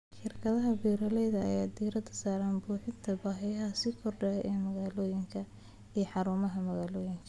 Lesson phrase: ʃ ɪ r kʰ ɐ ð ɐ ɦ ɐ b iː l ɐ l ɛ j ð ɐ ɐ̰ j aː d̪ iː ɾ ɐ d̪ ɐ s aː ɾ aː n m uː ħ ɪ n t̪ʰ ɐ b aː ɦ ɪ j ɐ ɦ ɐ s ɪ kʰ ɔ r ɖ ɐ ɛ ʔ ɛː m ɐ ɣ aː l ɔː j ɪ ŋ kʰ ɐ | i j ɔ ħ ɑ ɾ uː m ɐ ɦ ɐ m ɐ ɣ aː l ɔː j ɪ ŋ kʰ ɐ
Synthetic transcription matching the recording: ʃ ɪ r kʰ ɐ ð ɐ ɦ ɐ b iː ɾ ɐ l ɛ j ð ɐ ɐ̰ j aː d̪ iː ɾ ɐ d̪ ɐ s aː ɾ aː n b uː ħ ɪ n t̪ʰ ɐ b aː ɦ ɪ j ɐ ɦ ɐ s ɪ kʰ ɔ r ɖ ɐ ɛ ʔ ɛː m ɐ ɣ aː l ɔː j ɪ ŋ kʰ ɐ | i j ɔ ħ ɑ ɾ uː m ɐ ɦ ɐ m ɐ ɣ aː l ɔː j ɪ ŋ kʰ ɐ